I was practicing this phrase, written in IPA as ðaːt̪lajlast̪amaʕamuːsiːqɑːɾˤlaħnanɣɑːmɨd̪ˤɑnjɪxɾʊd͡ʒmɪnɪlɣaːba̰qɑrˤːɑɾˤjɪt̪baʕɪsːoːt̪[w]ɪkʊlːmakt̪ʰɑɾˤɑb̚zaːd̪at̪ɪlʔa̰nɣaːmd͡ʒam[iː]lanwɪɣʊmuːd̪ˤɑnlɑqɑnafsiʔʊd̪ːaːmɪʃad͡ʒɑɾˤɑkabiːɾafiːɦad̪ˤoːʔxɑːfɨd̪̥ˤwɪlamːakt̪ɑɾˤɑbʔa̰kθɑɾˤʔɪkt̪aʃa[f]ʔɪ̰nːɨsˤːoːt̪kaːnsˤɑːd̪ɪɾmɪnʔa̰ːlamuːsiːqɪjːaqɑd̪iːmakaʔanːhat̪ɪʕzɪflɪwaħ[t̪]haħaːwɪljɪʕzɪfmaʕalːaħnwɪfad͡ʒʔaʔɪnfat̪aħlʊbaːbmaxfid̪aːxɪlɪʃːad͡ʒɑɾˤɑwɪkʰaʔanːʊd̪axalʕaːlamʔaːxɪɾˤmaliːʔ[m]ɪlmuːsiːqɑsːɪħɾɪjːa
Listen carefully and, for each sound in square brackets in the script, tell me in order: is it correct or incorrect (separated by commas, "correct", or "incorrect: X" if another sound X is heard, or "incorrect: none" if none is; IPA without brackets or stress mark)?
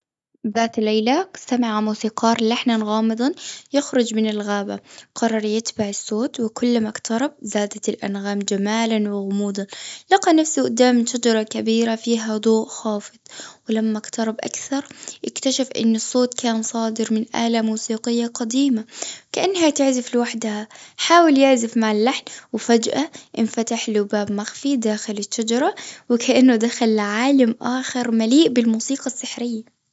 correct, incorrect: aː, correct, incorrect: d̪, incorrect: b